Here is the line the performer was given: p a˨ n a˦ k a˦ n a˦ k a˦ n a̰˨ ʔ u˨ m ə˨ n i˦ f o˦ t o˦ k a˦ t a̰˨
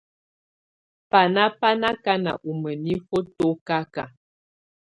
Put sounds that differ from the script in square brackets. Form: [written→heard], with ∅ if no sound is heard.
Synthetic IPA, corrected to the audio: p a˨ n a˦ [k→p] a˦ n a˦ k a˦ n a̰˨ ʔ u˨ m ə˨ n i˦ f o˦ t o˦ k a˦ [t→k] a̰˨